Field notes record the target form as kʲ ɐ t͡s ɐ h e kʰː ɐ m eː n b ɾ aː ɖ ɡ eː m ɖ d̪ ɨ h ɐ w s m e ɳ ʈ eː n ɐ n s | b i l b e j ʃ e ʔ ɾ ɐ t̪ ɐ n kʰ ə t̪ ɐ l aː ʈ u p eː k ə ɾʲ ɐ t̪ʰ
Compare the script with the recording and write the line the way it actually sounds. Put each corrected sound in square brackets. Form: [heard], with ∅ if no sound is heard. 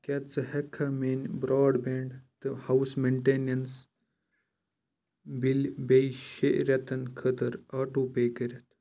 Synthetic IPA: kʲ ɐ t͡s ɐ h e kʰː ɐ m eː n b ɾ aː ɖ [b] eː [ɳ] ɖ [t̪] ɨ h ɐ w s m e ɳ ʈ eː n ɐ n s | b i l b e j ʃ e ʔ ɾ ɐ t̪ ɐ n kʰ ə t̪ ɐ [ɾ] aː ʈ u p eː k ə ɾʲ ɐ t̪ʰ